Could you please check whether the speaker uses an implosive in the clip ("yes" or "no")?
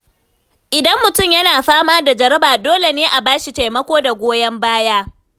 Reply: no